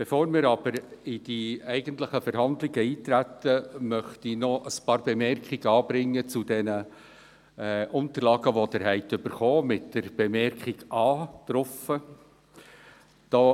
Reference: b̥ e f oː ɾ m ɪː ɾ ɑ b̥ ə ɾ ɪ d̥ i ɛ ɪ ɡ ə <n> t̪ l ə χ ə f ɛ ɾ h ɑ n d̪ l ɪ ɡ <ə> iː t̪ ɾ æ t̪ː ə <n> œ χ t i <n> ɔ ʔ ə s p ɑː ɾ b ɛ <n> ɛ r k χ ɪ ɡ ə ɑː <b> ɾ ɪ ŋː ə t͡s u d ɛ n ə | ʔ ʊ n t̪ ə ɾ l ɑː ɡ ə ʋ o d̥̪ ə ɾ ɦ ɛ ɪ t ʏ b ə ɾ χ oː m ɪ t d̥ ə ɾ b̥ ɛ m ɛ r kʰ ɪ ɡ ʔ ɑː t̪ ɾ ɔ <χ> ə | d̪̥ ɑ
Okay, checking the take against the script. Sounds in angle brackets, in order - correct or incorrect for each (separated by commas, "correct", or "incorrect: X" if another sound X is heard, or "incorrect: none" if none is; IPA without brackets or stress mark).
correct, correct, incorrect: m, correct, incorrect: m, correct, incorrect: f